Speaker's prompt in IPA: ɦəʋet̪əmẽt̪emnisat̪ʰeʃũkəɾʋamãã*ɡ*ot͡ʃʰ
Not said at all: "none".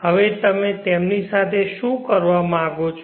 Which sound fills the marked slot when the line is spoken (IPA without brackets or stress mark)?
ɡ